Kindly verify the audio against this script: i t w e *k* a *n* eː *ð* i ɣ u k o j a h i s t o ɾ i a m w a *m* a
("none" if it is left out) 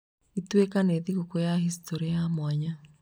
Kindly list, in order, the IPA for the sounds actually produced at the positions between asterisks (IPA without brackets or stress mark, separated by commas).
k, n, ð, ɲ